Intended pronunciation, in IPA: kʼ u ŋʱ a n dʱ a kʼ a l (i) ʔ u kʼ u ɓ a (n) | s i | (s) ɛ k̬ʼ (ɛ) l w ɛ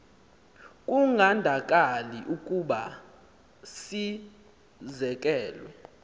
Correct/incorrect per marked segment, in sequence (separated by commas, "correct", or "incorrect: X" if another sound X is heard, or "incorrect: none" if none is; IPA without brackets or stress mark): correct, incorrect: none, incorrect: z, incorrect: ɛː